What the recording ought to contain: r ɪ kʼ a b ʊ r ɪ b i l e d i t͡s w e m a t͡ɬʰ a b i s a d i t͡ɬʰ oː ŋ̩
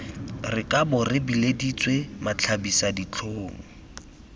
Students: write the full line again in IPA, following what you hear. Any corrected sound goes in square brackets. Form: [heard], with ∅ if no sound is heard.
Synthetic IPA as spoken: r ɪ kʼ a b ʊ r ɪ b i l e d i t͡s w e m a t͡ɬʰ a b i s a d i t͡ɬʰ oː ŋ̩